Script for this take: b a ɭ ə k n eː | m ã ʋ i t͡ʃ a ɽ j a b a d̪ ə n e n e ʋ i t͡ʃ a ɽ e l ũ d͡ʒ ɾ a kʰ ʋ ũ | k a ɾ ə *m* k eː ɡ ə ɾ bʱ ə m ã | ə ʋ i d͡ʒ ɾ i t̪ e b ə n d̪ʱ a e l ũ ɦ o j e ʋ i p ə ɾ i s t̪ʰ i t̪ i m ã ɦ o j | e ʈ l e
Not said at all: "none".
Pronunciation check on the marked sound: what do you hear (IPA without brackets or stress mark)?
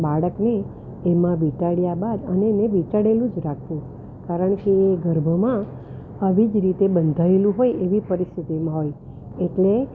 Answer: ɳ